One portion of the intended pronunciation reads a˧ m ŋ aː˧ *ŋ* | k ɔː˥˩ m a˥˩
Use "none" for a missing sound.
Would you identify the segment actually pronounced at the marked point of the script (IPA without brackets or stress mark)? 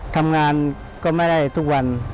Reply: n